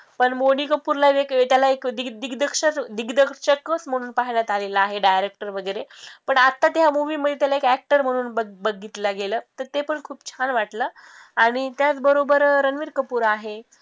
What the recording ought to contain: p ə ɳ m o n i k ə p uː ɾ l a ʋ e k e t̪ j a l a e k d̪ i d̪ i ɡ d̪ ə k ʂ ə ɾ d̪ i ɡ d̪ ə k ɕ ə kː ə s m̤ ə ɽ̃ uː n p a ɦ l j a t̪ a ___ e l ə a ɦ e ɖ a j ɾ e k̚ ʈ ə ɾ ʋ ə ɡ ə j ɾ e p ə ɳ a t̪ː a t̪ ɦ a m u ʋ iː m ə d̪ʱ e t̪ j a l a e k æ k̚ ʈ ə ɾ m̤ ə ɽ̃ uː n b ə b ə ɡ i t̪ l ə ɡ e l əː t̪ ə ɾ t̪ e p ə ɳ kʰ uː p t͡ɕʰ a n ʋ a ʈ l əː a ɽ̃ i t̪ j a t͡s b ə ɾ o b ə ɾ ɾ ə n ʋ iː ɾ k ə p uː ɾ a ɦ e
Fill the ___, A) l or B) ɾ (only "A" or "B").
A